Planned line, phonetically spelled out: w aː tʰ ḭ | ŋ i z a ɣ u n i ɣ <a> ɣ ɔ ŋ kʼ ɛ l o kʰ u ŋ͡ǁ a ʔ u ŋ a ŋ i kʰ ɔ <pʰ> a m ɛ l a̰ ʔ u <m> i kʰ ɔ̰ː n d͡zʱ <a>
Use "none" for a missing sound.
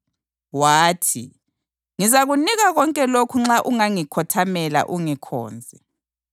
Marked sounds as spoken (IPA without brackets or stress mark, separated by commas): a, tʰ, ŋ, ɛ